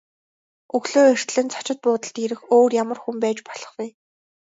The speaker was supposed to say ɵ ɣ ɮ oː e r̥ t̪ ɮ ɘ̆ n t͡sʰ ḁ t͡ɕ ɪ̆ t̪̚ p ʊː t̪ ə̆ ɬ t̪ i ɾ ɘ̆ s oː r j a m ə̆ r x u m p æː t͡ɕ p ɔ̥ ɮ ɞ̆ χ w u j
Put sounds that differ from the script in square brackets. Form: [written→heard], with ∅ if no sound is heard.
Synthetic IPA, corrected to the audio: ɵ ɣ ɮ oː e r̥ t̪ ɮ ɘ̆ n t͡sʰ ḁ t͡ɕ ɪ̆ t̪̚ p ʊː t̪ ə̆ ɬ t̪ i ɾ ɘ̆ [s→x] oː r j a m ə̆ r x u m p æː t͡ɕ p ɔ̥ ɮ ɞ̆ χ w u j